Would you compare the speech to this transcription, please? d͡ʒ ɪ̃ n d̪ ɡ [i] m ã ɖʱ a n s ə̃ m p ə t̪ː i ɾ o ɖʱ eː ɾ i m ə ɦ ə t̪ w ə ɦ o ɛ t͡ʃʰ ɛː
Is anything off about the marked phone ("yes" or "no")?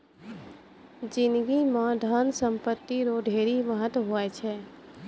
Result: no